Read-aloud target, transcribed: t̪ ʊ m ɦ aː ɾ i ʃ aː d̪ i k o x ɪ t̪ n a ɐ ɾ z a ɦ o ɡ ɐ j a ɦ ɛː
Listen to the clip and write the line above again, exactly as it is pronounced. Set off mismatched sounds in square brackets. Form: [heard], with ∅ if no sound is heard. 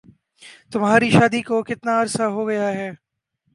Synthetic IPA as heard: t̪ ʊ m ɦ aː ɾ i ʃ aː d̪ i k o [k] ɪ t̪ n a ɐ ɾ [s] a ɦ o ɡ ɐ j a ɦ ɛː